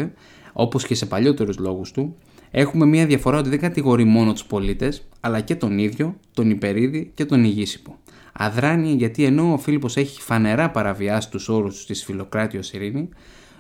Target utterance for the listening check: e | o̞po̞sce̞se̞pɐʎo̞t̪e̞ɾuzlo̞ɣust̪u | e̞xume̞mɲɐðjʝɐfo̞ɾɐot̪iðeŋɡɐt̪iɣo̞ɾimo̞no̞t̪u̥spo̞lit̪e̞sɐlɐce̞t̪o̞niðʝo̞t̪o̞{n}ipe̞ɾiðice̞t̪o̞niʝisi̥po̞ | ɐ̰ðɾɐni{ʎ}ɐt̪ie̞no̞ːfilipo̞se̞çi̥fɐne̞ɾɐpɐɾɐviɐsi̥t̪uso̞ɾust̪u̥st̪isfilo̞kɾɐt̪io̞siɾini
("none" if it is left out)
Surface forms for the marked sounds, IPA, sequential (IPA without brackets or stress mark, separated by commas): n, ʝ